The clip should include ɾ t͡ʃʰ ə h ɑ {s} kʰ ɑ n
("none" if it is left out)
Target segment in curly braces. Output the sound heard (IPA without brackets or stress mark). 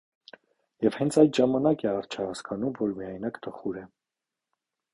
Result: s